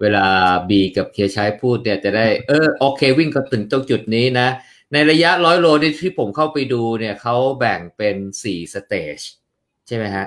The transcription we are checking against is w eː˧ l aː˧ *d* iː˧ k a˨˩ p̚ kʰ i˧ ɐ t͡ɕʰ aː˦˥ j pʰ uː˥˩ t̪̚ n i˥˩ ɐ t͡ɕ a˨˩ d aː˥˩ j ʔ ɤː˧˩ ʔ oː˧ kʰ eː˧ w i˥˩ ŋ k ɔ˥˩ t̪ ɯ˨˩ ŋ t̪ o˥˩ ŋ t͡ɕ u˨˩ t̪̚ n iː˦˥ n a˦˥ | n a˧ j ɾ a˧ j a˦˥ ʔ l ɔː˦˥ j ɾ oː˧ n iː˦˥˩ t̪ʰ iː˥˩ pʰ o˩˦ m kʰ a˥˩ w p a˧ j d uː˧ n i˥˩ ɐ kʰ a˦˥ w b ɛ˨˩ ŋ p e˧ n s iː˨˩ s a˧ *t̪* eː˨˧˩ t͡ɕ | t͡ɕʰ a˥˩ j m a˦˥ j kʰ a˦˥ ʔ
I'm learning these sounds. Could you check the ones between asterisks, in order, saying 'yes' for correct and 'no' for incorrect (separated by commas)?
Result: no, yes